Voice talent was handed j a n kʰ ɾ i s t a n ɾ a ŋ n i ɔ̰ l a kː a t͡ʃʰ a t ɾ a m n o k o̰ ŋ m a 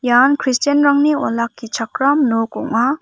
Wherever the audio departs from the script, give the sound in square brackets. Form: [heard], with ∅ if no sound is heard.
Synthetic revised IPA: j a n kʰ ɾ i s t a n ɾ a ŋ n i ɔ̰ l a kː [i] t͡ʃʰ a [k] ɾ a m n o k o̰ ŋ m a